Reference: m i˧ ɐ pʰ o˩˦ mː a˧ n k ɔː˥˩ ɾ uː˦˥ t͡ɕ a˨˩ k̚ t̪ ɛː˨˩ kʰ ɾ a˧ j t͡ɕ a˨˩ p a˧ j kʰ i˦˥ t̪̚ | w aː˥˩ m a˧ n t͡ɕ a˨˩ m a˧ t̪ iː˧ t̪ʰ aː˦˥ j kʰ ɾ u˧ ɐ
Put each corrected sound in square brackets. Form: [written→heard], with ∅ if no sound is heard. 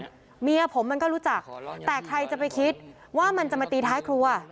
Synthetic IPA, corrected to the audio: m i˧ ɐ pʰ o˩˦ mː a˧ n k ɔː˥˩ ɾ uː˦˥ t͡ɕ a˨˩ k̚ t̪ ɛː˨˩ kʰ ɾ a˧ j t͡ɕ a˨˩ p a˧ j kʰ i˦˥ t̪̚ | w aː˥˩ m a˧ n t͡ɕ a˨˩ m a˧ t̪ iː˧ t̪ʰ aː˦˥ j kʰ ɾ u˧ ɐ